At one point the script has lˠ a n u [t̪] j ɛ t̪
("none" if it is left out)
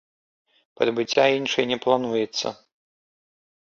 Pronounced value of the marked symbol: none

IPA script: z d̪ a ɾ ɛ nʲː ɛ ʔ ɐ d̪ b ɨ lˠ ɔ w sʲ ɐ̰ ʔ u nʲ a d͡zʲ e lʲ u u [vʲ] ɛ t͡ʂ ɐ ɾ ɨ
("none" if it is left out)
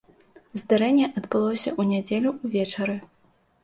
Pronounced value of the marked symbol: vʲ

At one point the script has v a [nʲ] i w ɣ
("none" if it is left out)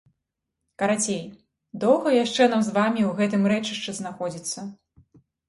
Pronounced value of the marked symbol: mʲ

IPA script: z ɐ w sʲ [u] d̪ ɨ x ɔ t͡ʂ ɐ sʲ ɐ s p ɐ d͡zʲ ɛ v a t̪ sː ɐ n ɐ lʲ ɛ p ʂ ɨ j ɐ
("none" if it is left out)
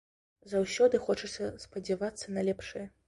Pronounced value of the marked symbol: ɔ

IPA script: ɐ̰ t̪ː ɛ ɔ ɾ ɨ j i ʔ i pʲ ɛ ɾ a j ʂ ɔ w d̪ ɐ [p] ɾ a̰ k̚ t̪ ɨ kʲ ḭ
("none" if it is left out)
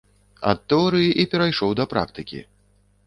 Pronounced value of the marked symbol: p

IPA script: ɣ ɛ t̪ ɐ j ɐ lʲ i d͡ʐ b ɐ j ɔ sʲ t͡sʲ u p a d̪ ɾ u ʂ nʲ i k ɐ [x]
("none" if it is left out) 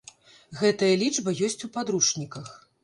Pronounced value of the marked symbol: x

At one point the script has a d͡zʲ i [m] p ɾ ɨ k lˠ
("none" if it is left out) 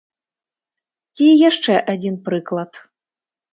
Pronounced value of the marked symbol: n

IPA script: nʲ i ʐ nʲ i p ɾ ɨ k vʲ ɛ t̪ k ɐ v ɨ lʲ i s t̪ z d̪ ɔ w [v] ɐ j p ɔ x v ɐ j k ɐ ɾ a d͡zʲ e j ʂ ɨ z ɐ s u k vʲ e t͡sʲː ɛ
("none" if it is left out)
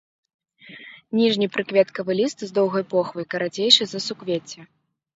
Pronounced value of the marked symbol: ɣ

